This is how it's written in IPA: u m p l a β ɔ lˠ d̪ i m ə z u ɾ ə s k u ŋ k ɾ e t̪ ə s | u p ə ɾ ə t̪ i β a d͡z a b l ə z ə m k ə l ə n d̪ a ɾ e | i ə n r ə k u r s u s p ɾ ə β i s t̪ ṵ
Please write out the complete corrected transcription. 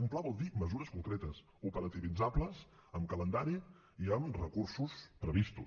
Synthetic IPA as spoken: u m p l a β ɔ lˠ d̪ i m ə z u ɾ ə s k u ŋ k ɾ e t̪ ə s | u p ə ɾ ə t̪ i β i d͡z a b l ə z ə m k ə l ə n d̪ a ɾ i | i ə m r ə k u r s u s p ɾ ə β i s t̪ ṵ

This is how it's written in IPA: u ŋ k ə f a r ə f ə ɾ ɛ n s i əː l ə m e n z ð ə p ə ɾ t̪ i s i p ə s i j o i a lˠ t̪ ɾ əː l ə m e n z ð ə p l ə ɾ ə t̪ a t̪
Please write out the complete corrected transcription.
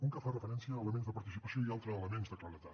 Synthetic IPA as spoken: u ŋ k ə f a r ə f ə ɾ ɛ n s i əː l ə m e n z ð ə p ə ɾ t̪ i s i p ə s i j o i a lˠ t̪ ɾ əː l ə m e n z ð ə k l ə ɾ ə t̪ a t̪

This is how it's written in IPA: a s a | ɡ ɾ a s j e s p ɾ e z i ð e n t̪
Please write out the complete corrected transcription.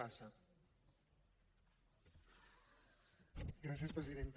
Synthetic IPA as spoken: a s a | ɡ ɾ a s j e s p ɾ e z i ð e n t̪

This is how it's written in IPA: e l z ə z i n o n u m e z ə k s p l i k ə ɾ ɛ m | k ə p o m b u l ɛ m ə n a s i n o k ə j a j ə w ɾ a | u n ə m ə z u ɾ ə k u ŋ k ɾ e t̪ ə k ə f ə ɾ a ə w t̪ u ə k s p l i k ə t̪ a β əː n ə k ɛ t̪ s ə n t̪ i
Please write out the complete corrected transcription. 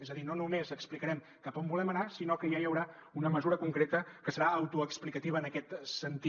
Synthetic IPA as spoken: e z ə ð i n o n u m e z ə k s p l i k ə ɾ ɛ m | k ə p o m b u l ɛ m ə n a s i n o k ə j a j ə w ɾ a | u n ə m ə z u ɾ ə k u ŋ k ɾ e t̪ ə k ə s ə ɾ a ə w t̪ u ə k s p l i k ə t̪ i β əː n ə k ɛ t̪ s ə n t̪ i

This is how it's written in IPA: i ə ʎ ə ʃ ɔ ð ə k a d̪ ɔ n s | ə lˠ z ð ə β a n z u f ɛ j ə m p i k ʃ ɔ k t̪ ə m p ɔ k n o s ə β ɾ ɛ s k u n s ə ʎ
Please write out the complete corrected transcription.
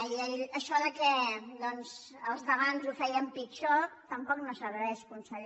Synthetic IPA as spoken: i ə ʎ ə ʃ ɔ ð ə k ɛ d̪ ɔ n z | ə lˠ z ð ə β a n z u f ɛ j ə m p i k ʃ ɔ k t̪ ə m p ɔ k n o s ə β ɾ ɛ ʃ k u n s ə ʎ

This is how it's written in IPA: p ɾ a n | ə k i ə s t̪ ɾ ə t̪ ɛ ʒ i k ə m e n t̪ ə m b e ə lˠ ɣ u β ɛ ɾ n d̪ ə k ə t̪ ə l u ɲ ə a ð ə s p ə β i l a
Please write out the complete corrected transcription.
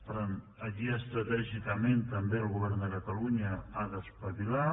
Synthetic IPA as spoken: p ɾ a n | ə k i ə s t̪ ɾ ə t̪ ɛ ʒ i k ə m e n t̪ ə m b e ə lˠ ɣ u β ɛ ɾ n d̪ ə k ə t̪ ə l u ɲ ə a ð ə s p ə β i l a

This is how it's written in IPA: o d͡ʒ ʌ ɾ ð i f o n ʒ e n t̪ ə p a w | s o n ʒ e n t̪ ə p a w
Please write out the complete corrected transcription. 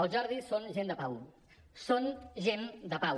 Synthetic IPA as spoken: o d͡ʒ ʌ ɾ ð i s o n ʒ e n d̪ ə p a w | s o n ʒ e n d̪ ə p a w

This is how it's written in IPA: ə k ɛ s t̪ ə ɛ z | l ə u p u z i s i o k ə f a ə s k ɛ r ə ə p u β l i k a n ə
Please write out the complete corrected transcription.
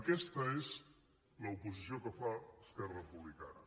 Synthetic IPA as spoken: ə k ɛ s t̪ ə e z | l ə u p u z i s i o k ə f a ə s k ɛ r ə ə p u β l i k a n ə

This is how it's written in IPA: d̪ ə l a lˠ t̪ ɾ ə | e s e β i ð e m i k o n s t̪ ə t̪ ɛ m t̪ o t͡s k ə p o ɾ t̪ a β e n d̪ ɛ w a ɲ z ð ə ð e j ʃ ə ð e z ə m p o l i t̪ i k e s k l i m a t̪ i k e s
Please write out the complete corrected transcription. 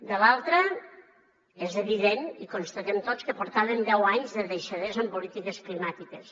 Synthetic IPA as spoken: d̪ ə l a lˠ t̪ ɾ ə | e z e β i ð e n i k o n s t̪ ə t̪ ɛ m t̪ o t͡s k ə p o ɾ t̪ a β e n d̪ ɛ w a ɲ z ð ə ð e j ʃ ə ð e z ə m p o l i t̪ i k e s k l i m a t̪ i k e s

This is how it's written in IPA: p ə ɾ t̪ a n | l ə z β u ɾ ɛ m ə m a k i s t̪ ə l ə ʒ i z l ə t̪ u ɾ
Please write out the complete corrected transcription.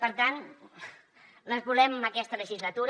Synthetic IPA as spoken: p ə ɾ t̪ a n | l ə z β u l ɛ m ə m ə k ɛ s t̪ ə l ə ʒ i z l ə t̪ u ɾ

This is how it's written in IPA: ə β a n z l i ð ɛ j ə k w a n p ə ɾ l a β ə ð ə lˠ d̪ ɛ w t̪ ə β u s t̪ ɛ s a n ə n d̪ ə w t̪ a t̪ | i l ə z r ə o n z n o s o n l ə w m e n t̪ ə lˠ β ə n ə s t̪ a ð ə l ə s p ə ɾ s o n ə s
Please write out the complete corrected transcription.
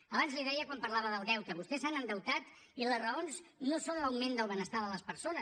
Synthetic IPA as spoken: ə β a n z l i ð ɛ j ə k w a m p ə ɾ l a β ə ð ə lˠ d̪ ɛ w t̪ ə β u s t̪ ɛ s a n ə n d̪ ə w t̪ a t̪ | i l ə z r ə o n z n o s o n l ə w m e n d̪ ə lˠ β ə n ə s t̪ a ð ə l ə s p ə ɾ s o n ə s

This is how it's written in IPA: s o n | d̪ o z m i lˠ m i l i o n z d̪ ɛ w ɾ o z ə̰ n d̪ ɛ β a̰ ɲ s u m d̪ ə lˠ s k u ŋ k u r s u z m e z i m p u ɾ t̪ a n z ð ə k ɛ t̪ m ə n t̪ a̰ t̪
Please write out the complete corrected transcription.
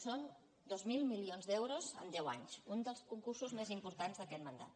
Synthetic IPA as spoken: s o n | d̪ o z m i lˠ m i l i o n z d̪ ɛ w ɾ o z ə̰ n d̪ ɛ w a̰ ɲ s u n d̪ ə lˠ s k u ŋ k u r s u z m e z i m p u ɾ t̪ a n z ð ə k ɛ t̪ m ə n d̪ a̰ t̪

